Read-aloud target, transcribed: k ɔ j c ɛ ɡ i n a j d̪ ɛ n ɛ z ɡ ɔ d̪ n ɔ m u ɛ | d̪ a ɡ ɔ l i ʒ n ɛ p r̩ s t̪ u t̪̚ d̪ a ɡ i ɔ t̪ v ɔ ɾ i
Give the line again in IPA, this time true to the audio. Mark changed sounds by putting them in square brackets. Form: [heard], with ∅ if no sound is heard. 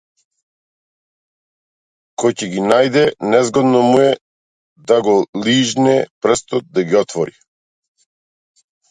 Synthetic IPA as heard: k ɔ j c ɛ ɡ i n a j d̪ ɛ n ɛ z ɡ ɔ d̪ n ɔ m u ɛ | d̪ a ɡ ɔ l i ʒ n ɛ p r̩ s t̪ [ɔ] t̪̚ d̪ a ɡ i ɔ t̪ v ɔ ɾ i

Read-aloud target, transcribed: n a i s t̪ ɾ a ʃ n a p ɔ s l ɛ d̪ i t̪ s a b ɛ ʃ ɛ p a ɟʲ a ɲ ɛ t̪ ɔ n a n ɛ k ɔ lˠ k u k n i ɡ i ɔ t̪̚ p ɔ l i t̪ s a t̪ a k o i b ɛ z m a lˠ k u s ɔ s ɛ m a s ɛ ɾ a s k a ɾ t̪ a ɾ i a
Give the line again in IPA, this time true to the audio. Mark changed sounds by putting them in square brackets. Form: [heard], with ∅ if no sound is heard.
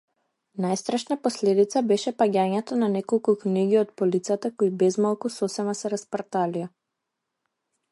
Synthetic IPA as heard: n a [j] s t̪ ɾ a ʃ n a p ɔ s l ɛ d̪ i t̪ s a b ɛ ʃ ɛ p a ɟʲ a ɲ ɛ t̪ ɔ n a n ɛ k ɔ lˠ k u k n i ɡ i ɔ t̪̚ p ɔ l i t̪ s a t̪ a k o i b ɛ z m a lˠ k u s ɔ s ɛ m a s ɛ ɾ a s [p] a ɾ t̪ a [l] i a

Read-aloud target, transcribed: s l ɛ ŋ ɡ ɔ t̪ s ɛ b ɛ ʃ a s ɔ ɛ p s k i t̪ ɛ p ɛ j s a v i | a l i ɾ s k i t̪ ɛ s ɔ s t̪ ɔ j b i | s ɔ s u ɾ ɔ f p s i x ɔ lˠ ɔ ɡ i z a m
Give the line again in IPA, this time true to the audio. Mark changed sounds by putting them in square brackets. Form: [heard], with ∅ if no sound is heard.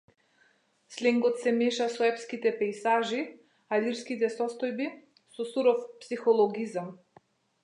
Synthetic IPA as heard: s l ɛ ŋ ɡ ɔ t̪ s ɛ [m] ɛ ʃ a s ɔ ɛ p s k i t̪ ɛ p ɛ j s a [ʒ] i | a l i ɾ s k i t̪ ɛ s ɔ s t̪ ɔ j b i | s ɔ s u ɾ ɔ f p s i x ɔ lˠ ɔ ɡ i z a m

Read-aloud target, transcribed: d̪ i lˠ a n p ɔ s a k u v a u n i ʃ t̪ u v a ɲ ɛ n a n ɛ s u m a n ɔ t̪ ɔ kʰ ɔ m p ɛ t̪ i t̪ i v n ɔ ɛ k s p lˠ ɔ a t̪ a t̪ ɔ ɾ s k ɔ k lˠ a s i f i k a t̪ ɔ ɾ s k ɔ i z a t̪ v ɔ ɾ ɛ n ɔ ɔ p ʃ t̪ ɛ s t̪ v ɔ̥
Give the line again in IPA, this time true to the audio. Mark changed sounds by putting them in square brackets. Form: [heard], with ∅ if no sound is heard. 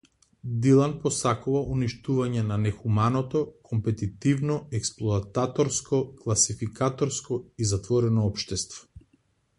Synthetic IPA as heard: d̪ i lˠ a n p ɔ s a k u v a u n i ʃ t̪ u v a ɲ ɛ n a n ɛ [x] u m a n ɔ t̪ ɔ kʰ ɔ m p ɛ t̪ i t̪ i v n ɔ ɛ k s p lˠ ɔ a t̪ a t̪ ɔ ɾ s k ɔ k lˠ a s i f i k a t̪ ɔ ɾ s k ɔ i z a t̪ v ɔ ɾ ɛ n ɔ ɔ p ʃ t̪ ɛ s t̪ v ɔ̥

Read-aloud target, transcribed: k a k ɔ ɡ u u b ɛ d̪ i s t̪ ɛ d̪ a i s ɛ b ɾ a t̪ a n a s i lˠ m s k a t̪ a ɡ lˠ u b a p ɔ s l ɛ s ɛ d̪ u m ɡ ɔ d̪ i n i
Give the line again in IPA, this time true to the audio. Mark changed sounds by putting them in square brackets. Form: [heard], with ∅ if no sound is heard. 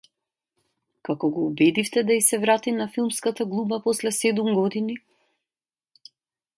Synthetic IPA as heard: k a k ɔ ɡ [ɔ] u b ɛ d̪ i [f] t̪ ɛ d̪ a i s ɛ [v] ɾ a t̪ [i] n a [f] i lˠ m s k a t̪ a ɡ lˠ u b a p ɔ s l ɛ s ɛ d̪ u m ɡ ɔ d̪ i n i

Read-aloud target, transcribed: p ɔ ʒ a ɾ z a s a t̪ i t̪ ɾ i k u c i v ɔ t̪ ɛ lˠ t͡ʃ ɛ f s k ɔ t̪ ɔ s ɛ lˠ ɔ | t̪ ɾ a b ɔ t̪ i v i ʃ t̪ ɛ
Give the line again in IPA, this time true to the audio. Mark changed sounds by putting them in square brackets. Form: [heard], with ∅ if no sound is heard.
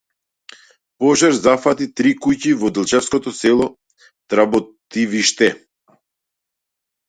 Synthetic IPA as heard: p ɔ ʒ a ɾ z a [f] a t̪ i t̪ ɾ i k u c i v ɔ [d̪] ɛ lˠ t͡ʃ ɛ f s k ɔ t̪ ɔ s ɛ lˠ ɔ | t̪ ɾ a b ɔ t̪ i v i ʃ t̪ ɛ

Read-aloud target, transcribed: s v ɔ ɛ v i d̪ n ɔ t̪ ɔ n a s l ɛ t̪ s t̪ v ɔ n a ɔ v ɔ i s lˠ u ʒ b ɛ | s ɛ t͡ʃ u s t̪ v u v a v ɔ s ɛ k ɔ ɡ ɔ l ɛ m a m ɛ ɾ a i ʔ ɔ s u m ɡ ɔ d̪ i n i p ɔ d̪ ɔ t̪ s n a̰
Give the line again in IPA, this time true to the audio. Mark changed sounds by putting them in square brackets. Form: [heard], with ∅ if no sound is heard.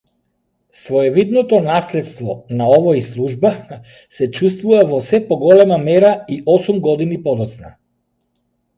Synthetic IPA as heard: s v ɔ ɛ v i d̪ n ɔ t̪ ɔ n a s l ɛ t̪ s t̪ v ɔ n a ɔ v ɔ i s lˠ u ʒ b [a] | s ɛ t͡ʃ u s t̪ v u v a v ɔ s ɛ [p] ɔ ɡ ɔ l ɛ m a m ɛ ɾ a i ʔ ɔ s u m ɡ ɔ d̪ i n i p ɔ d̪ ɔ t̪ s n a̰

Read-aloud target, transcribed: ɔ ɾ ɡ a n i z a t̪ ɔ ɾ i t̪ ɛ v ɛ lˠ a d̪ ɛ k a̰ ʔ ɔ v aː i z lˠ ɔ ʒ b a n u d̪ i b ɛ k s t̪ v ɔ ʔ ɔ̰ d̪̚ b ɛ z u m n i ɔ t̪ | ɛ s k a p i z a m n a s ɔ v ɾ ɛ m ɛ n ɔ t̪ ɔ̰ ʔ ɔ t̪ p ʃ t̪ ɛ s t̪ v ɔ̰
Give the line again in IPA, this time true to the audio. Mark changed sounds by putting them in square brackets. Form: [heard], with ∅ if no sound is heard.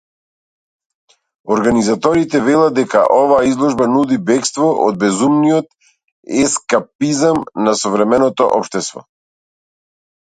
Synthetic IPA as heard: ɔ ɾ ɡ a n i z a t̪ ɔ ɾ i t̪ ɛ v ɛ lˠ a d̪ ɛ k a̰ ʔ ɔ v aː i z lˠ ɔ ʒ b a n u d̪ i b ɛ k s t̪ v ɔ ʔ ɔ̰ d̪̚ b ɛ z u m n i ɔ t̪ | ɛ s k a p i z a m n a s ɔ v ɾ ɛ m ɛ n ɔ t̪ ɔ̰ ʔ ɔ [∅] p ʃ t̪ ɛ s t̪ v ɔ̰

